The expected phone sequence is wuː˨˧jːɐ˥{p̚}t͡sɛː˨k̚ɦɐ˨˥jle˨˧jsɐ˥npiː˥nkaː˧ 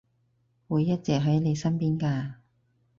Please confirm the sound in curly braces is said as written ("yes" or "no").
no